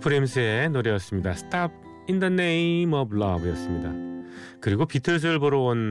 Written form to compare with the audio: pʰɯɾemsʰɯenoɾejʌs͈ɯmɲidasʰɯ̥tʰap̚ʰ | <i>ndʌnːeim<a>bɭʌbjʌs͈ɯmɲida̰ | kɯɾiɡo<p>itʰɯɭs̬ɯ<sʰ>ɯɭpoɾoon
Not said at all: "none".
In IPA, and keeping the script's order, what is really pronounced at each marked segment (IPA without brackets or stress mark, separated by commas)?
i, ʌ, p, none